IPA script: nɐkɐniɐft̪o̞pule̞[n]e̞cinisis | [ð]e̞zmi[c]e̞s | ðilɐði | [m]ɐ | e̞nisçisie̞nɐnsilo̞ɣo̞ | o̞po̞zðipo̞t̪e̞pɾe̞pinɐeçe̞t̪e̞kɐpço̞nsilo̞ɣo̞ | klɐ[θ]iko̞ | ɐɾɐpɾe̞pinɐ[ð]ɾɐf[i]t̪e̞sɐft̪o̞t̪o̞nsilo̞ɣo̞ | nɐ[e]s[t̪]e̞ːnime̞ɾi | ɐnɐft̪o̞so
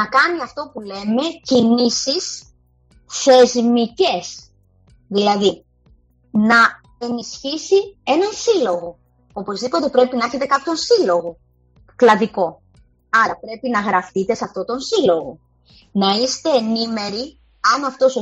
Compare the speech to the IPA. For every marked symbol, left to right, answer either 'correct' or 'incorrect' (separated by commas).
incorrect, incorrect, correct, incorrect, incorrect, incorrect, correct, incorrect, correct